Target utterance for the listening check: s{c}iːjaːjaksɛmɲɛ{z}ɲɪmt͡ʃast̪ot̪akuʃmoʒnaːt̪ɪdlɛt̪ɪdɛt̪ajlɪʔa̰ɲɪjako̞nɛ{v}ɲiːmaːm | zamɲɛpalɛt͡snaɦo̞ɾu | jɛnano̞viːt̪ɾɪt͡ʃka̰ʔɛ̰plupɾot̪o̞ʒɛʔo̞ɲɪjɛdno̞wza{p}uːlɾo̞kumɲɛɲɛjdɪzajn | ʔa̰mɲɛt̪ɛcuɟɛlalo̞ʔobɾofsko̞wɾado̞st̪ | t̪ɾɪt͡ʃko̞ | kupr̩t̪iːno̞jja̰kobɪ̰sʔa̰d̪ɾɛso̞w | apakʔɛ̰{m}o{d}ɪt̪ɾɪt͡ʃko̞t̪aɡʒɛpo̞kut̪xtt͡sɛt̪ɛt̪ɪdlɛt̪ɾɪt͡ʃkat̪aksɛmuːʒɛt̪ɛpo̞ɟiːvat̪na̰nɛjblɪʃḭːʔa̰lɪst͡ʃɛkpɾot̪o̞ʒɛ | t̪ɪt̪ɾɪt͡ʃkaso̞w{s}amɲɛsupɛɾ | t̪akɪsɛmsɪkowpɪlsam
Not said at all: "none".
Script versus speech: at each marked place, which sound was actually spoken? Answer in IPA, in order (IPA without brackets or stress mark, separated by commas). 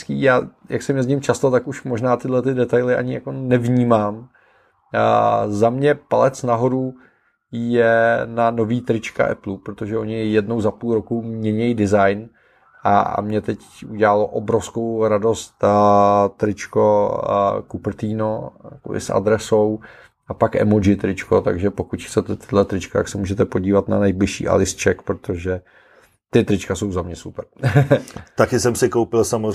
k, z, v, p, m, d͡ʒ, z